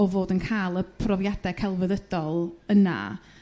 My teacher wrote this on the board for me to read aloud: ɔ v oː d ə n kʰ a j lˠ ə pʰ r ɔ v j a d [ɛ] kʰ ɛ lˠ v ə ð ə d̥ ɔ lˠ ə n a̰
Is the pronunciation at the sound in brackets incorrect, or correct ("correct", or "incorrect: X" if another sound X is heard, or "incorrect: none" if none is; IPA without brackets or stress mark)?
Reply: correct